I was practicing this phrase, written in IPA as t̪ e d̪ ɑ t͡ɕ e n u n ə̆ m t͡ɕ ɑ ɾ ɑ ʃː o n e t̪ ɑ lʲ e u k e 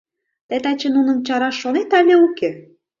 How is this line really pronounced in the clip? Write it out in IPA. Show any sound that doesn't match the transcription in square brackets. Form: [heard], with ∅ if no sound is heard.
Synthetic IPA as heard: t̪ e [t̪] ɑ t͡ɕ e n u n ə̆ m t͡ɕ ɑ ɾ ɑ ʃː o n e t̪ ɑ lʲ e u k e

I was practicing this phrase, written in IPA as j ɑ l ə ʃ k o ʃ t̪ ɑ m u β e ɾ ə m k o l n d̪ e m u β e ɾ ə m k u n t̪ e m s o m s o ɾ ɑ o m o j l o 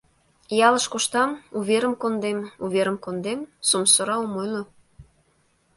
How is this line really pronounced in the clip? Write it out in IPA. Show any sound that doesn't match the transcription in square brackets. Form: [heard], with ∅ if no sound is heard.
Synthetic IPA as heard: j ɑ l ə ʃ k o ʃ t̪ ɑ m u β e ɾ ə m k o [∅] n d̪ e m u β e ɾ ə m k [o] n [d̪] e m s o m s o ɾ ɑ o m o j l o

